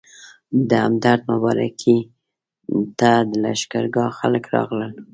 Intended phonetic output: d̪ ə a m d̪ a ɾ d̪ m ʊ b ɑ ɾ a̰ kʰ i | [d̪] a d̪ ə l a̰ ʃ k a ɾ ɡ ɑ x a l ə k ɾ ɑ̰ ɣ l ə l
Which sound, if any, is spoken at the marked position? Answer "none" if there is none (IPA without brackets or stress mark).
t̪